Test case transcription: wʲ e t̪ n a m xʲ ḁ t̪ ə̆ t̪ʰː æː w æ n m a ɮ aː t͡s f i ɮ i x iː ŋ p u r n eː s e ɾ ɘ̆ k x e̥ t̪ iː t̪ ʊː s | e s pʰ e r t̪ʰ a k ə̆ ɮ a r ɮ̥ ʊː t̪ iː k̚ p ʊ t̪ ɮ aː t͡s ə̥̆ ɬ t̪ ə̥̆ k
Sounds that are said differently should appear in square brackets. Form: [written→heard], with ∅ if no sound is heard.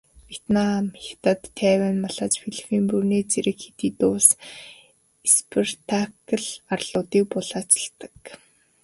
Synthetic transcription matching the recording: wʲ e t̪ n a m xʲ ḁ t̪ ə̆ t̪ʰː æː w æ n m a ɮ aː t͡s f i ɮ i [x→f] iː [ŋ→m] p u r n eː [s→t͡s] e ɾ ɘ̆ k x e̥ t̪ iː t̪ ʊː s | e s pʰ e r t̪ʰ a k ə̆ ɮ a r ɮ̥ ʊː t̪ iː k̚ p ʊ [t̪→∅] ɮ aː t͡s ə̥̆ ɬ t̪ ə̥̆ k